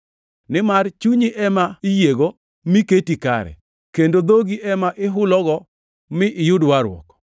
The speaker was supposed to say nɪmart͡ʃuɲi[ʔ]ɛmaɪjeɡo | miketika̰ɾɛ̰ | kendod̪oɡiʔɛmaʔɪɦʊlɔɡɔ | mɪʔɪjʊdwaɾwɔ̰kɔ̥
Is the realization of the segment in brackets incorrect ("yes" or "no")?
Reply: no